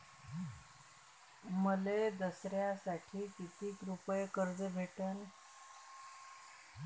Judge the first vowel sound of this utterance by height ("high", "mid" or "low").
mid